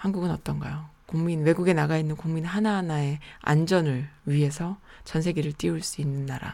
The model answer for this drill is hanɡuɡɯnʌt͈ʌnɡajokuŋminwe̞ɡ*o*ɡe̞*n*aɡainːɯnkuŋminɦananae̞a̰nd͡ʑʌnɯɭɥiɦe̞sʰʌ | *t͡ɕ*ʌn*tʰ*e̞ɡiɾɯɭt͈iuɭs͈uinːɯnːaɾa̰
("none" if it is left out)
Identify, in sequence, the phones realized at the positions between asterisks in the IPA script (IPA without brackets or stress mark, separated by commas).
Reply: u, n, t͡ɕ, sʰ